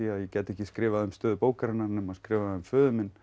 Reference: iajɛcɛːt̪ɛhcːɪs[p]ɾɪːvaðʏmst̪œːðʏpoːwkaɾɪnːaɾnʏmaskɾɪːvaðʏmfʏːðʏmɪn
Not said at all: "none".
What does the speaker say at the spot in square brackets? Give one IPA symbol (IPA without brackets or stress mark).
k